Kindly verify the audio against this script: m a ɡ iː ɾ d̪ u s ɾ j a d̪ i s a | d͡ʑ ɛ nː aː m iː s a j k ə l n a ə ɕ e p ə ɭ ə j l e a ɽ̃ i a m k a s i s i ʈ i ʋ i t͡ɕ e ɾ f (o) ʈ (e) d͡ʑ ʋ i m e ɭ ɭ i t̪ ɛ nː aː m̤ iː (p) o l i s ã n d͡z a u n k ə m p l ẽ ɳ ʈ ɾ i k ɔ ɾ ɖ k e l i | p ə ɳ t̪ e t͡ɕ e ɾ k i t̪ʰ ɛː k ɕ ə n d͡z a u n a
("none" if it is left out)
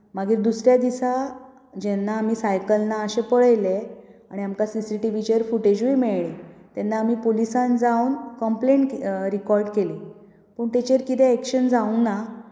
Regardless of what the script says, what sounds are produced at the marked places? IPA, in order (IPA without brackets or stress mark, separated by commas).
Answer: u, e, p